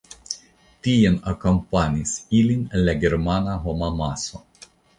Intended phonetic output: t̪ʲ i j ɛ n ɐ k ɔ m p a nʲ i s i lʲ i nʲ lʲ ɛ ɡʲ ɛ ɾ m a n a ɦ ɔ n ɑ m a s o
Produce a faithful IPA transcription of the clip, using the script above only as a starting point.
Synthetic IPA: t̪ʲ i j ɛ n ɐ k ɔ m p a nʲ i s i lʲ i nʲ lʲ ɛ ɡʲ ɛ ɾ m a n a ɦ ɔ m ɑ m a s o